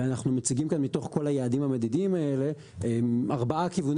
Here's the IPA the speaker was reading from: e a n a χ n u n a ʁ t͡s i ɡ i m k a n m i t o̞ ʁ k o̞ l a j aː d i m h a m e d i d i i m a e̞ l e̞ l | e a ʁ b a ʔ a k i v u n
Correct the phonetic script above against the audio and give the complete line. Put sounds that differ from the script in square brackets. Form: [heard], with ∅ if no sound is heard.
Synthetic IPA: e a n a χ n u [m] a [∅] t͡s i ɡ i m k a n m i t o̞ [χ] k o̞ l a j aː d i m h a m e d i d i i m a e̞ l e̞ [∅] | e a ʁ b a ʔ a k i v u n